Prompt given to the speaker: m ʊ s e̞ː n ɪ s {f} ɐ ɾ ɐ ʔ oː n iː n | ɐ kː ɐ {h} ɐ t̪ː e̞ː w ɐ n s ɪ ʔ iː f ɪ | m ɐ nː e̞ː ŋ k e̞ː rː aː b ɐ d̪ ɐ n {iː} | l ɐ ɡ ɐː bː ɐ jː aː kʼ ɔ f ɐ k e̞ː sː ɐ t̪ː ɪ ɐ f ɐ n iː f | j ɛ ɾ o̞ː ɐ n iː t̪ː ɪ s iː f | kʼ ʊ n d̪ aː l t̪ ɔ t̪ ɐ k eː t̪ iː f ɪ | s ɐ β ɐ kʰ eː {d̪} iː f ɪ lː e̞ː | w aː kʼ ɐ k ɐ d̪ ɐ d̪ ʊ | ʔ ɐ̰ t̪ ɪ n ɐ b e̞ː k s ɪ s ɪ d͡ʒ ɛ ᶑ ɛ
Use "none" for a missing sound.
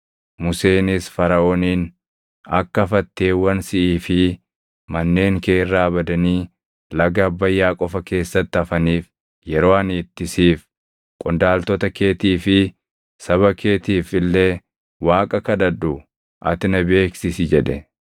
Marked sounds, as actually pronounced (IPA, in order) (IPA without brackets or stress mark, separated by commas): f, f, iː, t̪